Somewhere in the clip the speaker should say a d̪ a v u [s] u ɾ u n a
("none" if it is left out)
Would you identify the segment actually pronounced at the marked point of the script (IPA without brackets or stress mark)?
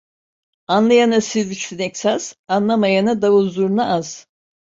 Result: z